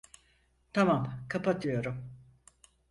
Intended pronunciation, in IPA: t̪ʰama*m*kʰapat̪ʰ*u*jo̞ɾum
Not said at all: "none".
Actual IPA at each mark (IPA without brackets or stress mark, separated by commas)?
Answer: m, ɯ